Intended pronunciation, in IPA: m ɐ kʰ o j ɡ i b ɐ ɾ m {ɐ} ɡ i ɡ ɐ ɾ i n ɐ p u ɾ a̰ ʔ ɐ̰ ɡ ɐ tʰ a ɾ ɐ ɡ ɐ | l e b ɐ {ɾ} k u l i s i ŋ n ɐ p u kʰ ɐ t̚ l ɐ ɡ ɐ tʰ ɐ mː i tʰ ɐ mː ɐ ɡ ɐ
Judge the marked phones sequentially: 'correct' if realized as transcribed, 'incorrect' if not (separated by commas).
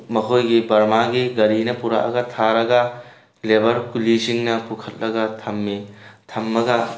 incorrect, correct